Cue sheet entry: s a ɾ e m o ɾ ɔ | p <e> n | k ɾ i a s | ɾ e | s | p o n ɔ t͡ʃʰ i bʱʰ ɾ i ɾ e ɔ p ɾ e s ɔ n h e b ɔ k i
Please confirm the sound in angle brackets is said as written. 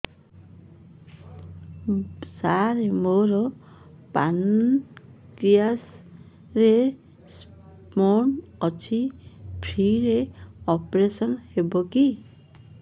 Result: no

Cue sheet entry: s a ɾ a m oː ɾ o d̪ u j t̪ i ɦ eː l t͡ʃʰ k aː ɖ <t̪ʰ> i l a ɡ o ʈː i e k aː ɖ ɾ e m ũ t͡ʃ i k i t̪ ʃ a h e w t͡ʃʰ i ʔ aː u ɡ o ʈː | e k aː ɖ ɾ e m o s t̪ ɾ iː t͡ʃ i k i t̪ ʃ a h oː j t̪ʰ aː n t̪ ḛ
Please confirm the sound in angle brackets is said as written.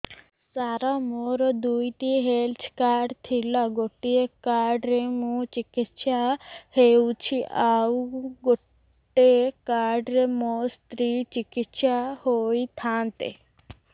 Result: yes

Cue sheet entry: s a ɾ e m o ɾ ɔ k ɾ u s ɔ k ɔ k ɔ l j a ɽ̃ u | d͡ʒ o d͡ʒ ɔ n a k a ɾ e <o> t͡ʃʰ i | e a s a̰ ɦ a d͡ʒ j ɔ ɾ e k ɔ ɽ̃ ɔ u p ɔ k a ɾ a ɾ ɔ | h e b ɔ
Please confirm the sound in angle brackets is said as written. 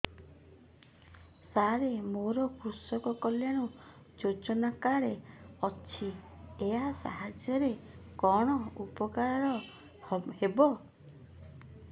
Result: no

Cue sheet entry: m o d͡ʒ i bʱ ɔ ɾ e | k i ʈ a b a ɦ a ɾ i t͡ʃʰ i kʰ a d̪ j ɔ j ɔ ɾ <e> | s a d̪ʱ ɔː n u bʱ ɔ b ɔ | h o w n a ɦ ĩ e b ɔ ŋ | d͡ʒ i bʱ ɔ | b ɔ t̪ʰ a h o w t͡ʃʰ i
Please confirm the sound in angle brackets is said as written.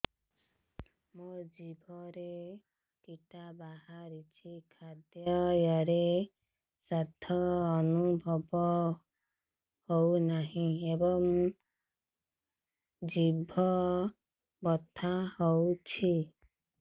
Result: yes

